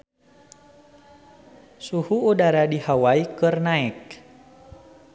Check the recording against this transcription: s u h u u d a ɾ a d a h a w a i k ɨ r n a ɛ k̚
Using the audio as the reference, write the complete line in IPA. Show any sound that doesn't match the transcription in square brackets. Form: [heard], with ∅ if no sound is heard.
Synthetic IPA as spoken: s u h u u d a ɾ a d [i] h a w a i k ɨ r n a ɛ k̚